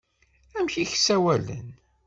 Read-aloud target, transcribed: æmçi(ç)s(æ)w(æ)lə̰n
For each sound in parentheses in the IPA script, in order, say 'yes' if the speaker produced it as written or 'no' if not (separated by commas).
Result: yes, yes, yes